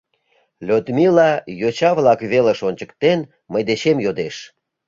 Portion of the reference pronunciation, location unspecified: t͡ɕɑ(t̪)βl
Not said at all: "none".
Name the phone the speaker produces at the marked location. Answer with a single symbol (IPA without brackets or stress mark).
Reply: none